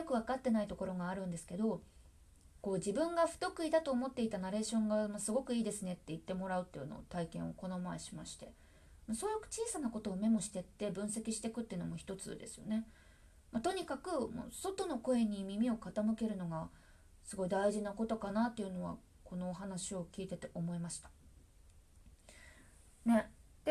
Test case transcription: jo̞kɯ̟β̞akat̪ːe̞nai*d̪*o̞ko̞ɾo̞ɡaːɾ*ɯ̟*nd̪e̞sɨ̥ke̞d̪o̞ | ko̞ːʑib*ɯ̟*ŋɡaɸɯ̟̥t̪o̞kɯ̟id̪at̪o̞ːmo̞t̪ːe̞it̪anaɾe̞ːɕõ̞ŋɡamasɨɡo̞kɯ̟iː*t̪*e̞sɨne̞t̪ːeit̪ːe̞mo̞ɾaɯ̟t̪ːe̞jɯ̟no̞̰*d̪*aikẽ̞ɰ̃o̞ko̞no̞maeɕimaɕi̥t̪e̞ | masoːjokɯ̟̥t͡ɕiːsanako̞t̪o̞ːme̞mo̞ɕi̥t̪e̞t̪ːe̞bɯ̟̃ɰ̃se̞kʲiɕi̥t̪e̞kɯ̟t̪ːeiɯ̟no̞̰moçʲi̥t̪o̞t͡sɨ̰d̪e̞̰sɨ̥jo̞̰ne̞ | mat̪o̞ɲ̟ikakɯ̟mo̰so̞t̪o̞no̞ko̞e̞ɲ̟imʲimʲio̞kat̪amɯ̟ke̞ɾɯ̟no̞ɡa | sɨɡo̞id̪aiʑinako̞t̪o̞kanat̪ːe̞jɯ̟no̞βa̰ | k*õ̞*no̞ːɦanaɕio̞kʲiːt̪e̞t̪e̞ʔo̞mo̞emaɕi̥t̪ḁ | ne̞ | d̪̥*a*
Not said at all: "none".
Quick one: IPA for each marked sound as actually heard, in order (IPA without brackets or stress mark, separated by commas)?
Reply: t̪, ɯ̟̃, ɯ̟̃, d̪, t̪, o̞, e